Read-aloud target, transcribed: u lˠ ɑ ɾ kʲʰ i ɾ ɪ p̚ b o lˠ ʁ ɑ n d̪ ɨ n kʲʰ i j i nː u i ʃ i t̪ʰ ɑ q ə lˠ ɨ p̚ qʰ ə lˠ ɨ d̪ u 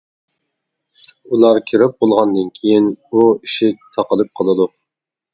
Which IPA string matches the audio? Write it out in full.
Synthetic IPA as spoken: u lˠ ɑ ɾ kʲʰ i ɾ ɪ p̚ b o lˠ ʁ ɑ n d̪ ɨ n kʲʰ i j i n u i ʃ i t̪ʰ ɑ q ə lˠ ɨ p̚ qʰ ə lˠ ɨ d̪ u